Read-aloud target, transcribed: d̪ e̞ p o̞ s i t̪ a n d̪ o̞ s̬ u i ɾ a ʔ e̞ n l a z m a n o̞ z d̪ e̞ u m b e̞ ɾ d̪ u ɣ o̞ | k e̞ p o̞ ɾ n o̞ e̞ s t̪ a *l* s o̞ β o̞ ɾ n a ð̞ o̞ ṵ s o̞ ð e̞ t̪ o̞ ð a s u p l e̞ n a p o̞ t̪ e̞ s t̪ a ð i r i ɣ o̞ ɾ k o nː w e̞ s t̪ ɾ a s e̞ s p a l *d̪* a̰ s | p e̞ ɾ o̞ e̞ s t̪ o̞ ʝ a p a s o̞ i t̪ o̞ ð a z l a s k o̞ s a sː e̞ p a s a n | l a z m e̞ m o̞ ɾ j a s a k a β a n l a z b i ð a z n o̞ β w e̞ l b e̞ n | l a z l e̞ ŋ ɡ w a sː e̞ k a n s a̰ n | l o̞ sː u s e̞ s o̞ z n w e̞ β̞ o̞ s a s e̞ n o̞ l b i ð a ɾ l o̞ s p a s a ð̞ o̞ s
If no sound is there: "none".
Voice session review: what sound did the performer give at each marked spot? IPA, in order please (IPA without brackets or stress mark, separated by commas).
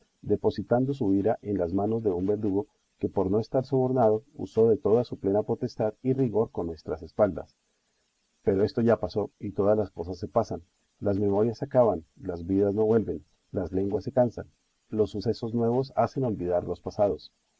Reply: ɾ, d̪